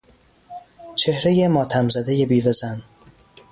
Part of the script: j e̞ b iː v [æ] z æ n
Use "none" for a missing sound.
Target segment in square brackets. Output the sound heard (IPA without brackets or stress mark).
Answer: e